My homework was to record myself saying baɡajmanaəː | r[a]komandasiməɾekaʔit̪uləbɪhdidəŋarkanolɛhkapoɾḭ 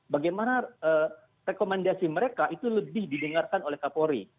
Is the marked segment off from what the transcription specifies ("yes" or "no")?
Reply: yes